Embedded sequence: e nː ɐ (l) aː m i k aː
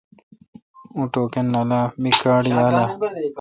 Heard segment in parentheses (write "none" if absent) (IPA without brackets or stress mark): l